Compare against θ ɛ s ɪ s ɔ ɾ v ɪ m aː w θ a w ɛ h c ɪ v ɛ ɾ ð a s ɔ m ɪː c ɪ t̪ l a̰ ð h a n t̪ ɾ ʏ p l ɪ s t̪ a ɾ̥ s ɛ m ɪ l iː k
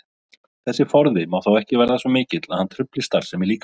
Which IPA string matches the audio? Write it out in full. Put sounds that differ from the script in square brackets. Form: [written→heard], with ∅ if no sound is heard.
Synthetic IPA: θ ɛ [s→sː] ɪ [s→f] ɔ ɾ [v→ð] ɪ m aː w θ a w ɛ h c ɪ v ɛ ɾ ð a s ɔ m ɪː c ɪ t̪ l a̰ ð h a n [t̪→t̪ʰ] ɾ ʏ p l ɪ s t̪ a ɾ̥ s ɛ m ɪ l iː k

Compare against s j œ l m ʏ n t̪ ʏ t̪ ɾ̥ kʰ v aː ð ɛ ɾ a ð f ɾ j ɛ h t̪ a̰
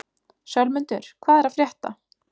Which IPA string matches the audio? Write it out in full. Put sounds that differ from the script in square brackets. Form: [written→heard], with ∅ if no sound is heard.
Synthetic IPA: s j œ l m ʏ n t̪ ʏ [t̪→∅] ɾ̥ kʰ v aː ð ɛ ɾ a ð f ɾ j ɛ h t̪ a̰

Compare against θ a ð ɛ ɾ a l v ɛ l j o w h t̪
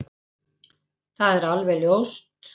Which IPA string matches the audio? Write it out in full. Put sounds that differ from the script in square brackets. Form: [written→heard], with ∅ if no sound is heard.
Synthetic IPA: θ a ð ɛ ɾ a l v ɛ l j o w [h→s] t̪

